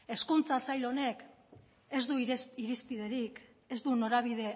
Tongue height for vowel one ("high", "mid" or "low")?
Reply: mid